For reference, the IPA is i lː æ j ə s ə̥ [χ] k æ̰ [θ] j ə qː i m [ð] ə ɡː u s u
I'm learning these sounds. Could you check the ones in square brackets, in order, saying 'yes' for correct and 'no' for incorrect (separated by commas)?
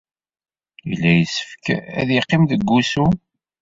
no, no, yes